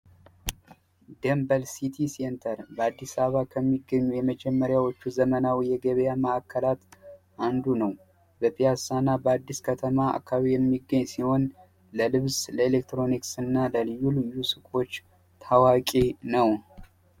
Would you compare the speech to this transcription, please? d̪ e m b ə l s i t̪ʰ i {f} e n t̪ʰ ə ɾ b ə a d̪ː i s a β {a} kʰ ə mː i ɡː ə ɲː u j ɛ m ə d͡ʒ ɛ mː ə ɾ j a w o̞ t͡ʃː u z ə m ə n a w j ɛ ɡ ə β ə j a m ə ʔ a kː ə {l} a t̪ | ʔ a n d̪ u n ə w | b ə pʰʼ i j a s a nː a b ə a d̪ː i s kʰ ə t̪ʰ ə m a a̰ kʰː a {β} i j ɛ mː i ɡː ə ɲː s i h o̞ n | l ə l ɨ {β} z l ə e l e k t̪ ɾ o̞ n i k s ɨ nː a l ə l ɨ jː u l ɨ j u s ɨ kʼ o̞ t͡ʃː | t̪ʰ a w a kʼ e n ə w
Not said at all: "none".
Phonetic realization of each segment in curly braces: s, a, l, β, β

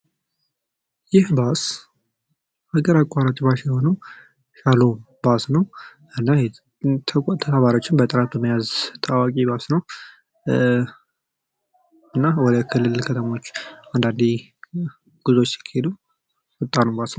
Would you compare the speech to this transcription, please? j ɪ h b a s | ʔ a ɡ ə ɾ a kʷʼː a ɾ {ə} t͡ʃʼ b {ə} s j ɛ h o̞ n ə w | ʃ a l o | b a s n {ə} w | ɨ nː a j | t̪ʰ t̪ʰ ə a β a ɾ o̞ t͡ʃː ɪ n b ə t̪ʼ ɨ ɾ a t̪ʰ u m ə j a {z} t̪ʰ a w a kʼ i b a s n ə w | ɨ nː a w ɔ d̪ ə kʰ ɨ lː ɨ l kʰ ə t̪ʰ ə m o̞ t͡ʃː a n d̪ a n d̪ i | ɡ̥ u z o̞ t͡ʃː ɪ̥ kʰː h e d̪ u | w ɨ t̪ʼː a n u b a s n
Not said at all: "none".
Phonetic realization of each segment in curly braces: a, a, ə, z

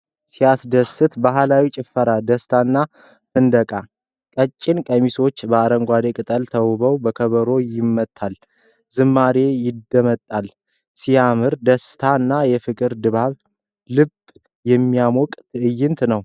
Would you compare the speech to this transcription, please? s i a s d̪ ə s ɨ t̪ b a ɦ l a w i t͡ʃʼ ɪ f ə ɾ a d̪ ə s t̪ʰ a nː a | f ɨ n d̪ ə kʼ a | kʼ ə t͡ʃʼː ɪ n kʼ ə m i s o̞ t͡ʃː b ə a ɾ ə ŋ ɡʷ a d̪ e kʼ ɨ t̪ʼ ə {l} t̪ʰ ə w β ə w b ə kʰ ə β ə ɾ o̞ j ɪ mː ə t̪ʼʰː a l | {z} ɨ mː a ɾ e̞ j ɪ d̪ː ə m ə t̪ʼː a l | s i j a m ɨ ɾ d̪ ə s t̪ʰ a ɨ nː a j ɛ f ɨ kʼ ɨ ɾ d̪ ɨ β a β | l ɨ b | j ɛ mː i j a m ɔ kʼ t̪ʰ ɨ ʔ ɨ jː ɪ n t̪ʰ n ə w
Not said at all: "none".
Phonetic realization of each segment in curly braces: l, z

